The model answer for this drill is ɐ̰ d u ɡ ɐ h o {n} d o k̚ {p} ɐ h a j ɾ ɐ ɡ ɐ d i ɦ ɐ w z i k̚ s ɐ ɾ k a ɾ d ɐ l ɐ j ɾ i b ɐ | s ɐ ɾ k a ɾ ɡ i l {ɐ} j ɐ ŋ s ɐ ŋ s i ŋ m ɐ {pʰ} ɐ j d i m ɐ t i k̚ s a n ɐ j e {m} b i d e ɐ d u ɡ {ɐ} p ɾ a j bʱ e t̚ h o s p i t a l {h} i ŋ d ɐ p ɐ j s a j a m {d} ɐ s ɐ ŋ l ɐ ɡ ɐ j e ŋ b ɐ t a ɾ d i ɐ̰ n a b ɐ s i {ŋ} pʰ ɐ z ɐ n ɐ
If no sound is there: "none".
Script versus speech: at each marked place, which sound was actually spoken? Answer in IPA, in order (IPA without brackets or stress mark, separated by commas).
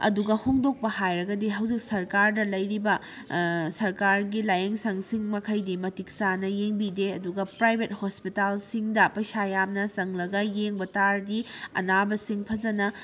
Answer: ŋ, p, a, kʰ, ŋ, ɐ, s, n, ŋ